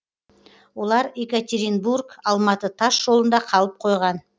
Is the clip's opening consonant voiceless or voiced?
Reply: voiced